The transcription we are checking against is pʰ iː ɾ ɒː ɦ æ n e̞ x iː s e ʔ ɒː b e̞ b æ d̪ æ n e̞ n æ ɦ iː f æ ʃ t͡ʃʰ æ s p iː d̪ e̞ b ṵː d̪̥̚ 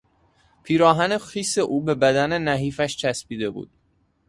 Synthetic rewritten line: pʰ iː ɾ ɒː ɦ æ n e̞ x iː s e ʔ uː b e̞ b æ d̪ æ n e̞ n æ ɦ iː f æ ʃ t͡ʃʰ æ s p iː d̪ e̞ b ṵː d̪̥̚